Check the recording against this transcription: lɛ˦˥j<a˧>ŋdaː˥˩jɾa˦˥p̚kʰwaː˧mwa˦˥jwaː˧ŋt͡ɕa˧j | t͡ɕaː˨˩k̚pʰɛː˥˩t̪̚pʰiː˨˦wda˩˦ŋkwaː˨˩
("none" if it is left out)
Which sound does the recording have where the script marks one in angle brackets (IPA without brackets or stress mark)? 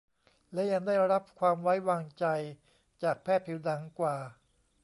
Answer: a˧